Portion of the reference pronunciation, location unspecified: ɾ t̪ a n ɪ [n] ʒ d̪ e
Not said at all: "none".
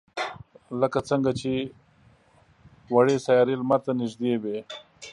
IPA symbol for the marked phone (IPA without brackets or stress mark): none